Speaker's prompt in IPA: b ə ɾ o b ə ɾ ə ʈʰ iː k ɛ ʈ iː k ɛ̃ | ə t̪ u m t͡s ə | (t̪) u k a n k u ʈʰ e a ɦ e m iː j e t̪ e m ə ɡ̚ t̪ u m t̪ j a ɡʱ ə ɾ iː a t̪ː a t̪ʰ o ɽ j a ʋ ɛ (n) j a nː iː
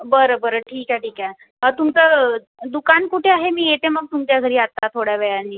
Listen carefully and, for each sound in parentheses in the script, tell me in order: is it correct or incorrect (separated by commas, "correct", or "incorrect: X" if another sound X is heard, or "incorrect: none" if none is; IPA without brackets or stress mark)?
incorrect: d̪, incorrect: none